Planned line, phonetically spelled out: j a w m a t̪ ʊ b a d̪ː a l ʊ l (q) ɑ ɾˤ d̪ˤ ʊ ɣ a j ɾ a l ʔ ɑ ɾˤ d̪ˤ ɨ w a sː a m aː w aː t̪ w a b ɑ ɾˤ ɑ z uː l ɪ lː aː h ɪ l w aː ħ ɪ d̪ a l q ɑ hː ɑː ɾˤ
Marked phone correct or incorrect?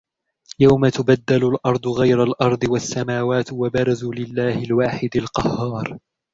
incorrect